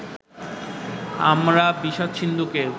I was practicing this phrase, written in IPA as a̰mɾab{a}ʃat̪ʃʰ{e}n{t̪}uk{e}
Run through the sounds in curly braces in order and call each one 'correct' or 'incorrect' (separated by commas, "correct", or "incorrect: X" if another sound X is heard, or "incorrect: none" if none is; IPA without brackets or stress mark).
incorrect: i, incorrect: i, incorrect: d̪, correct